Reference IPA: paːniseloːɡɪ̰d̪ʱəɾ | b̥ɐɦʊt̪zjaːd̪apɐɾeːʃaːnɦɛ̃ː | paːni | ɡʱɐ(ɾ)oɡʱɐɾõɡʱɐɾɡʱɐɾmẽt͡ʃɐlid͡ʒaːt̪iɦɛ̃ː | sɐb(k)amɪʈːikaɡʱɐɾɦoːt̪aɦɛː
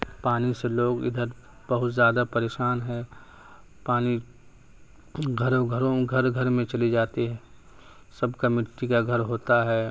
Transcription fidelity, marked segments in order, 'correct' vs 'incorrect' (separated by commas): correct, correct